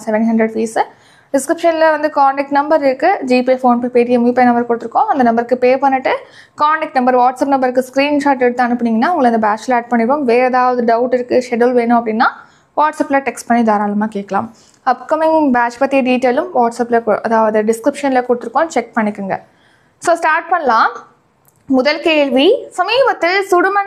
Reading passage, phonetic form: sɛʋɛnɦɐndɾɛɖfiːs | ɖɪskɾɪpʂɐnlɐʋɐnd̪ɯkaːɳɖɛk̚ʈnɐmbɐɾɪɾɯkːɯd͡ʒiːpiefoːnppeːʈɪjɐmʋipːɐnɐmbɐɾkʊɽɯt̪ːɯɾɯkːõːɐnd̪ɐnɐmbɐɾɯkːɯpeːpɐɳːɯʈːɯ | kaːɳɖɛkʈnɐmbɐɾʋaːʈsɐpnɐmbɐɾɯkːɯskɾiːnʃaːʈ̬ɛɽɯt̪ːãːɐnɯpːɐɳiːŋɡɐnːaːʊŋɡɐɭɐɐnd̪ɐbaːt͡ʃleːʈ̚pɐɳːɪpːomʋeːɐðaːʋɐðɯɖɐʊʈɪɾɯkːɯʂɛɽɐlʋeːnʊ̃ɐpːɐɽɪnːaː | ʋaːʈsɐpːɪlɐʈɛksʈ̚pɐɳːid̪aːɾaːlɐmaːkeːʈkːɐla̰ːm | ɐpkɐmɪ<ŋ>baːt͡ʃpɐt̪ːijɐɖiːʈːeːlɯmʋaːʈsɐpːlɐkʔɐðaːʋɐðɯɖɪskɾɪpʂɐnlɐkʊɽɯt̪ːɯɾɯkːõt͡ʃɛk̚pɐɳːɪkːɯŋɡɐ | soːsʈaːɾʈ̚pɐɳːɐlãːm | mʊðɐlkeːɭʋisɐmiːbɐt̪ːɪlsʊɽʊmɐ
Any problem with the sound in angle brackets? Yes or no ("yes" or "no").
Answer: no